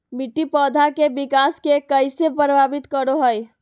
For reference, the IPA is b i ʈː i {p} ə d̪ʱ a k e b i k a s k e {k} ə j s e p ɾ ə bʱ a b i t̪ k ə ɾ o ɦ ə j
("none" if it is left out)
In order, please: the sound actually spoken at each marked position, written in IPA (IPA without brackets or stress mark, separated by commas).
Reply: p, k